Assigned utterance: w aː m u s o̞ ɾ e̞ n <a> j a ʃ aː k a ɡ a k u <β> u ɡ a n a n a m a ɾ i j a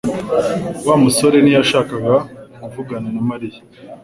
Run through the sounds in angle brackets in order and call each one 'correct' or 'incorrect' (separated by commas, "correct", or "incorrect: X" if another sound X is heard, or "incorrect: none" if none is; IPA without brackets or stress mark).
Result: incorrect: i, incorrect: v